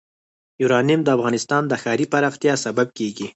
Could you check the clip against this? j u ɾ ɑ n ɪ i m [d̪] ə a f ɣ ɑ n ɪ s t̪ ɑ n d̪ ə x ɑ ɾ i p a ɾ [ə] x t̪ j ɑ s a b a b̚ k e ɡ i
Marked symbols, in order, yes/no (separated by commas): yes, no